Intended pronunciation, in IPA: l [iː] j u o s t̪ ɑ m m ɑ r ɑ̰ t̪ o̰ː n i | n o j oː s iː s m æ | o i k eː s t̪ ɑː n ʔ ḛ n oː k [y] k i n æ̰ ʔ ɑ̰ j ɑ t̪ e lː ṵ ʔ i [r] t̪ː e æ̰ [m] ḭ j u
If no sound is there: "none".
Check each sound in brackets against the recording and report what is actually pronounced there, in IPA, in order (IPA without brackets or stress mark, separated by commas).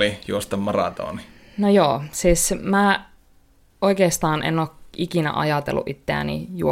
i, i, none, n